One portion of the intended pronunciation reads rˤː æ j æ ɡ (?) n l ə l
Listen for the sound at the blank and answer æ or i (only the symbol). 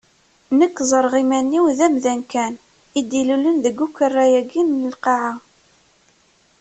i